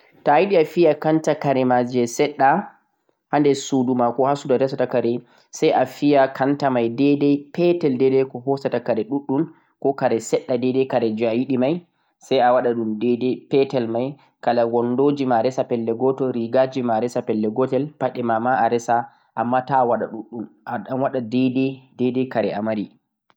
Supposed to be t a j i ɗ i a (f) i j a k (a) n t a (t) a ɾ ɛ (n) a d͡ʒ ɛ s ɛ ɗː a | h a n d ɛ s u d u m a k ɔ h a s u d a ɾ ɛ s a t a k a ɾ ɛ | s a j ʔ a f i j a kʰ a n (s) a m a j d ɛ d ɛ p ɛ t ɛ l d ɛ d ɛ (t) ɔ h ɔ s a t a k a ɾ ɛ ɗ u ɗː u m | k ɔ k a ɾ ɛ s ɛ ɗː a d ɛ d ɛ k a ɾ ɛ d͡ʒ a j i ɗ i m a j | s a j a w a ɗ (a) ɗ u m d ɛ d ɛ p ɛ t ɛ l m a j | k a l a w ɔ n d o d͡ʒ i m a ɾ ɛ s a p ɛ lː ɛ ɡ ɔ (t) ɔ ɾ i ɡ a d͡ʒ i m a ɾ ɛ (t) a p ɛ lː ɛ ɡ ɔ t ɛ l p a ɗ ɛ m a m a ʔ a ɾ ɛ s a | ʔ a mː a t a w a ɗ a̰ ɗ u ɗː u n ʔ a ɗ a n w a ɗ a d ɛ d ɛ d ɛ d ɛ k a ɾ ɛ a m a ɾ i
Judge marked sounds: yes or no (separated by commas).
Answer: yes, yes, no, no, no, no, yes, yes, no